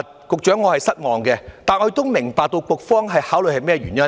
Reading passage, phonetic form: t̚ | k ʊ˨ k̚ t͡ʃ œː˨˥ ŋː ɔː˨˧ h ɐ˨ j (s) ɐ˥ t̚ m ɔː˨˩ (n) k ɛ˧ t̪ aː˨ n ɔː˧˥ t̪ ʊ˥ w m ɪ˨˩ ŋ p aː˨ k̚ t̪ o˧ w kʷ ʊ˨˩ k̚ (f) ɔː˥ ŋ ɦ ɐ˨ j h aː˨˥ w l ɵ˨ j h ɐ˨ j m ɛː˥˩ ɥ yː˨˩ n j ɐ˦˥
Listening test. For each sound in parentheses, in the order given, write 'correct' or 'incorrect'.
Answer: correct, incorrect: ŋ, correct

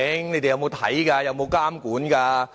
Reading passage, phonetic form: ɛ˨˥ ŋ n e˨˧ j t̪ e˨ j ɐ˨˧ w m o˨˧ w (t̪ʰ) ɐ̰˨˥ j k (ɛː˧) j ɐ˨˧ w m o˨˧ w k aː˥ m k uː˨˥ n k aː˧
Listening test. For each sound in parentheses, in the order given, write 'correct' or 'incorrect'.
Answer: correct, incorrect: aː˧

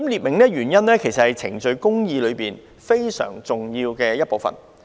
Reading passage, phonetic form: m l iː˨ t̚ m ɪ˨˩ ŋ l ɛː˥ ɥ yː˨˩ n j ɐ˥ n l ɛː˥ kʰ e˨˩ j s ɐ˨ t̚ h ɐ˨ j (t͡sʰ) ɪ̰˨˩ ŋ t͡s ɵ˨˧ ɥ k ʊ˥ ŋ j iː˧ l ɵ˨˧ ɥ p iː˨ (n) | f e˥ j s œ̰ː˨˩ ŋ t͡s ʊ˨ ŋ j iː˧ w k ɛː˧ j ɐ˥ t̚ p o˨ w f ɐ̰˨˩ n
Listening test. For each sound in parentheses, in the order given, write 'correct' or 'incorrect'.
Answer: correct, correct

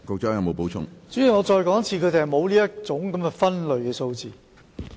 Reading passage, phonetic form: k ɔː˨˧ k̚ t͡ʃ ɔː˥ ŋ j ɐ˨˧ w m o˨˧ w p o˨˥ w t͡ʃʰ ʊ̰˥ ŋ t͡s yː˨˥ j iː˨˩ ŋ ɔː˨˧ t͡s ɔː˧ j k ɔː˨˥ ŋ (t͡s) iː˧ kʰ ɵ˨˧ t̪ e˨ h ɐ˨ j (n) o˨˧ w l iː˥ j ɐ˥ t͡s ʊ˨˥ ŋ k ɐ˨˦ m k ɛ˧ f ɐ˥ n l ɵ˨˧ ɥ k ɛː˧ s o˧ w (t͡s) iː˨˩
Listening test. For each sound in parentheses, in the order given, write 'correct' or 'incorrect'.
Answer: incorrect: t͡sʰ, incorrect: m, correct

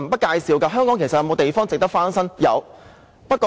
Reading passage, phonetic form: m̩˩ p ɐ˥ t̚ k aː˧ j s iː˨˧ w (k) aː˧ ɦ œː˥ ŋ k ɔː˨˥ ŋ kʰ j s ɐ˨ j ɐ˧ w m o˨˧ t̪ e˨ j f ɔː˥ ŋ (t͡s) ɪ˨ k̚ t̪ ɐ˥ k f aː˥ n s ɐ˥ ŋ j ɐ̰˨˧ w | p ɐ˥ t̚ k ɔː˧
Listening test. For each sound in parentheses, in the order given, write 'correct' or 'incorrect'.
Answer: correct, correct

